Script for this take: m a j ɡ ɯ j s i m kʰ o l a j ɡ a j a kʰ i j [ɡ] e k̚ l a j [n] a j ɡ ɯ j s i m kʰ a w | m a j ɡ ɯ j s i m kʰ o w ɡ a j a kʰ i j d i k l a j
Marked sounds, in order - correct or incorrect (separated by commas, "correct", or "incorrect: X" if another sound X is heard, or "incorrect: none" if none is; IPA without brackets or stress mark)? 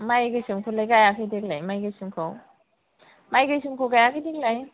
incorrect: d, incorrect: m